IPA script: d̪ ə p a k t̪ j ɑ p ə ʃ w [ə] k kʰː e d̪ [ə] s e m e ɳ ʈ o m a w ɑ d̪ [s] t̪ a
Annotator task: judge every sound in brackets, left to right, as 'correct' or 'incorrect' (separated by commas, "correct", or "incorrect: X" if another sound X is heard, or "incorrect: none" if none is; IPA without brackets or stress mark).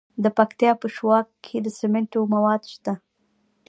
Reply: incorrect: ɑ, correct, incorrect: ʃ